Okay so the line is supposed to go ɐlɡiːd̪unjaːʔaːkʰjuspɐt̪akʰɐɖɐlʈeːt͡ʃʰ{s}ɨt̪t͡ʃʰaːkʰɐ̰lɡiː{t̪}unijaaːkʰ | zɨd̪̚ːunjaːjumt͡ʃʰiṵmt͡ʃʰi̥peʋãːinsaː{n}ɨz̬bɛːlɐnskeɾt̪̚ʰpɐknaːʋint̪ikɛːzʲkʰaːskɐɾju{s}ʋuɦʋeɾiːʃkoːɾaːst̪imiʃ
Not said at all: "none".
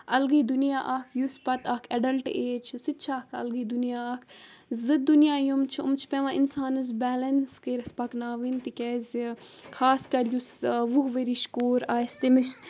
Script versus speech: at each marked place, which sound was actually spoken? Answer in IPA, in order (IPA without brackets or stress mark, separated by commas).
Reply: s, d̪, n, s